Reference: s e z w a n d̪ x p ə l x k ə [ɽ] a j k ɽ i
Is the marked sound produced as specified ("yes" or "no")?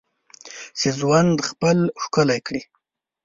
no